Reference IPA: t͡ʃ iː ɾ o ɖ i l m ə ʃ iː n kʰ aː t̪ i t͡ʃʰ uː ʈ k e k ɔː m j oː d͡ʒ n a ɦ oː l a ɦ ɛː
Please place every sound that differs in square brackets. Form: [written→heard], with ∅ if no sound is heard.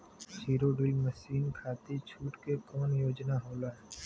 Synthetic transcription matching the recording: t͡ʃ iː ɾ o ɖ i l m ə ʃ iː n kʰ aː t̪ i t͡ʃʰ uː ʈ k e k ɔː [m→n] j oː d͡ʒ n a ɦ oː l a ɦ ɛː